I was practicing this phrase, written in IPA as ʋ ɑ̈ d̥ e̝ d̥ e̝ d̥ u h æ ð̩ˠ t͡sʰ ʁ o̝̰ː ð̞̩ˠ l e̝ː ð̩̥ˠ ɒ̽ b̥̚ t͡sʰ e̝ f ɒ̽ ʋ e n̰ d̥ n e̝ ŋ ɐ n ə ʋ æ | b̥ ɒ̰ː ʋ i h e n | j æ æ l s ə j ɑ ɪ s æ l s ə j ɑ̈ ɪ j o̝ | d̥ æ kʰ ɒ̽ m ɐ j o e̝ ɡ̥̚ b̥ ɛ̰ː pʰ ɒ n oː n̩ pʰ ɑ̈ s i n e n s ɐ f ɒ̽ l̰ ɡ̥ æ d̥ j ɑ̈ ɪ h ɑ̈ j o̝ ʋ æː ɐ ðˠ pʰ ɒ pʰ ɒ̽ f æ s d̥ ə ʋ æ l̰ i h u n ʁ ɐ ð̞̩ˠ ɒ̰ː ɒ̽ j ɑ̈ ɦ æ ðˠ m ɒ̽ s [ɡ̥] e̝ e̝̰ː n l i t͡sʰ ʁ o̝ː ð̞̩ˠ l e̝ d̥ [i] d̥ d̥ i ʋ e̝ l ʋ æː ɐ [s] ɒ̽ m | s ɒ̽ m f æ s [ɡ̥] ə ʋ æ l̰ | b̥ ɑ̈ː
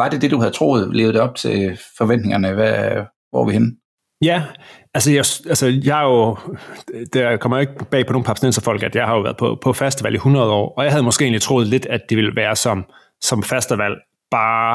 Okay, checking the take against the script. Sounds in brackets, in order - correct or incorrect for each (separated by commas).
correct, incorrect, correct, incorrect